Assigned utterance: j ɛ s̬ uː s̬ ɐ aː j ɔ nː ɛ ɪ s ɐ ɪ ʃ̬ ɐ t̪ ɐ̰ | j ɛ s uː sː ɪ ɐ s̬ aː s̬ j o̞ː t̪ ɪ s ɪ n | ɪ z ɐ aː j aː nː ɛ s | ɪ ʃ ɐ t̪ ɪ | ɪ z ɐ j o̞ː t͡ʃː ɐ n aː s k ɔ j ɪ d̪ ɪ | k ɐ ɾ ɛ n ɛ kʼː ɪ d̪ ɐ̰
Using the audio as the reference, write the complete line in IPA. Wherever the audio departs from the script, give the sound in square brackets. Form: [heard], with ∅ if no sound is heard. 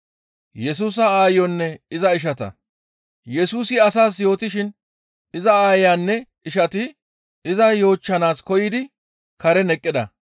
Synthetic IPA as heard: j ɛ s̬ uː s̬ ɐ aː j ɔ nː ɛ ɪ [z] ɐ ɪ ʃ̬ ɐ t̪ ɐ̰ | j ɛ s uː [s] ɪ ɐ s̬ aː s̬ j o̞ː t̪ ɪ [ʃ] ɪ n | ɪ z ɐ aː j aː nː ɛ [∅] | ɪ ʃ ɐ t̪ ɪ | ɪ z ɐ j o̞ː t͡ʃː ɐ n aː s k ɔ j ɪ d̪ ɪ | k ɐ ɾ ɛ n ɛ kʼː ɪ d̪ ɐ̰